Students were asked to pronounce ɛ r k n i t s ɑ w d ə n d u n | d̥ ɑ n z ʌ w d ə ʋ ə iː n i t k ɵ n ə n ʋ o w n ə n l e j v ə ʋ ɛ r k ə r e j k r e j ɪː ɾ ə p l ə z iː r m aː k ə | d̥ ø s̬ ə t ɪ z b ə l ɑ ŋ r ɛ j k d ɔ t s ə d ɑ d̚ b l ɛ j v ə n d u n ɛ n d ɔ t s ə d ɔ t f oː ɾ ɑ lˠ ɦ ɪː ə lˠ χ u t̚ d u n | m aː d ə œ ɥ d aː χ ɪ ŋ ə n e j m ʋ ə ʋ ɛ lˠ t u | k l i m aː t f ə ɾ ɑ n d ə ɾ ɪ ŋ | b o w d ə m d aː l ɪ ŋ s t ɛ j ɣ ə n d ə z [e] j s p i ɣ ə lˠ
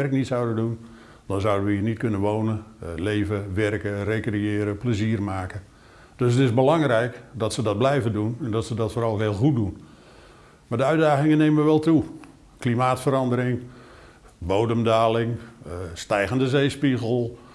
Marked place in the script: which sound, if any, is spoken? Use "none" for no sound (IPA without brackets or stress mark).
e